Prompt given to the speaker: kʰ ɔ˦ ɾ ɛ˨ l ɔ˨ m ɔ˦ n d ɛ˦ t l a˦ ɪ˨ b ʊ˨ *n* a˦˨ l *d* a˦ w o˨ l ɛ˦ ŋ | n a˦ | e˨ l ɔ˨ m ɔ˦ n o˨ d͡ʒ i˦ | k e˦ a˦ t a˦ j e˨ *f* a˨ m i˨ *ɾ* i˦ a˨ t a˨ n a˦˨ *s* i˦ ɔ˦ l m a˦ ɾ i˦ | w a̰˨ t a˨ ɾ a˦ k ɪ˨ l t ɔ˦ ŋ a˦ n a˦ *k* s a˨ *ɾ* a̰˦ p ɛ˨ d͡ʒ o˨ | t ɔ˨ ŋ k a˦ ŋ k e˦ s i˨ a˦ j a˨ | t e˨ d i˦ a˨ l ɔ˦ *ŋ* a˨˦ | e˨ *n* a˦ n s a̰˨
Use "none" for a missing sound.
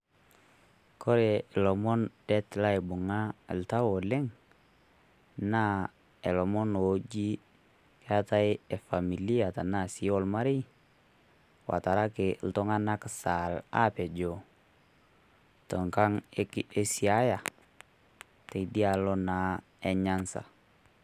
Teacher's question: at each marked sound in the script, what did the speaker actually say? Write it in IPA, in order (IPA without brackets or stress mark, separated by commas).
ŋ, t, f, l, s, k, l, n, ɲ